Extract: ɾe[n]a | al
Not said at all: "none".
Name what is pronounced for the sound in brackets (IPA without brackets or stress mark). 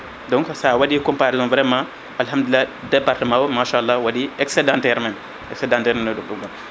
m